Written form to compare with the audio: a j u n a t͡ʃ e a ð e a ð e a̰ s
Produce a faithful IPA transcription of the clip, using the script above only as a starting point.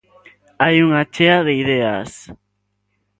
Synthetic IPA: a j u ŋ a t͡ʃ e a ð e i ð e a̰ s